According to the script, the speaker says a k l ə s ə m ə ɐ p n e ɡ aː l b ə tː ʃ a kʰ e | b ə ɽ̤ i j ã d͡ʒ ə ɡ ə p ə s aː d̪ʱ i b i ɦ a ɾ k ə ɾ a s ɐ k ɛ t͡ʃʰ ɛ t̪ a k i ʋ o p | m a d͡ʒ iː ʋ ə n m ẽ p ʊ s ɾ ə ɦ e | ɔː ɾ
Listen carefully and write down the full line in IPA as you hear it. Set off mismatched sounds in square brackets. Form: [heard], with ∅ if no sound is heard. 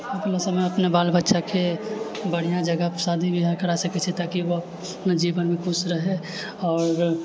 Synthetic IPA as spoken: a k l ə s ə m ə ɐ p n e [b] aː l b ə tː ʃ a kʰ e | b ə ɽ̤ i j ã d͡ʒ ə ɡ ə p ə s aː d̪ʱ i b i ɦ a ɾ k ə ɾ a s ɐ k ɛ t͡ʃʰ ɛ t̪ a k i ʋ o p | [n] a d͡ʒ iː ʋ ə n m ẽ [k] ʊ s ɾ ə ɦ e | ɔː ɾ